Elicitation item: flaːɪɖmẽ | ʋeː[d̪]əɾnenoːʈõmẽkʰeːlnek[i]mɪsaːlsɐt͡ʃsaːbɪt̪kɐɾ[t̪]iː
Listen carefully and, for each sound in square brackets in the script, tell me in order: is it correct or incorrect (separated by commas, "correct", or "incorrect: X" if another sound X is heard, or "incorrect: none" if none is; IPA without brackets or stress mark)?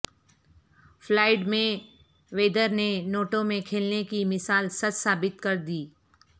correct, correct, incorrect: d̪